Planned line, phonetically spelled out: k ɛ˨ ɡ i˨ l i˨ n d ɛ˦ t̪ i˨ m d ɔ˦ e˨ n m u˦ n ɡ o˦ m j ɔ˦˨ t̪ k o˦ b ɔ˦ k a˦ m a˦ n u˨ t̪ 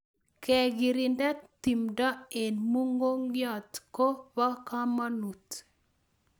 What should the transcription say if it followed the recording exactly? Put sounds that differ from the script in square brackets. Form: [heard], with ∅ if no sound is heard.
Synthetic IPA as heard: k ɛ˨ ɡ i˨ [ɾ] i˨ n d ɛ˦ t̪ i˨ m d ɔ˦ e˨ n m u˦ [ŋ] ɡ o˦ [ŋ] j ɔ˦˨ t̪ k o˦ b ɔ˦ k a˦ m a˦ n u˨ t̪